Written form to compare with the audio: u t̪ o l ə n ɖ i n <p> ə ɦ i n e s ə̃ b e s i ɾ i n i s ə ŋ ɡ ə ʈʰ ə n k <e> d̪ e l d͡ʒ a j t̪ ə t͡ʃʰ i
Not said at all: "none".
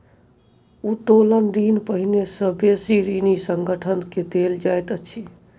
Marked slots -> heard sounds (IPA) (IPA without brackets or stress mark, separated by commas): p, e